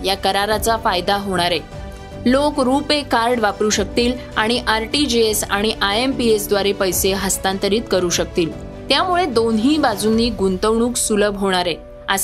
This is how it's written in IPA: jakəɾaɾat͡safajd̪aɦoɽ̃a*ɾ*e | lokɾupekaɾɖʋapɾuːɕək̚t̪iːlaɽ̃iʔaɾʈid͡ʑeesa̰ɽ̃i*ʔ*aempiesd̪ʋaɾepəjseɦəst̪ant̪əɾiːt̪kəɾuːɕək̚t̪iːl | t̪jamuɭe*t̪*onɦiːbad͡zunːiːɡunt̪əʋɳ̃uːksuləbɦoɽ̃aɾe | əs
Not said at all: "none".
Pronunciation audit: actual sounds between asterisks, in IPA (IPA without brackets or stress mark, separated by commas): ɾ, ʔ, d̪